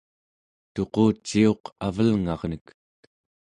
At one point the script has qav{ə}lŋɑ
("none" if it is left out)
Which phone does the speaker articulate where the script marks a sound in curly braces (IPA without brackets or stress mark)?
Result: ə